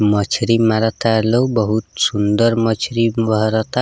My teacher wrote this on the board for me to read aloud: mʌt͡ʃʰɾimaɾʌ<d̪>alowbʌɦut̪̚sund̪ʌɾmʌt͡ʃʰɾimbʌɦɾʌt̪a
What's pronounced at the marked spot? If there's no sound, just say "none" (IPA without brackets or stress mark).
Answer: t̪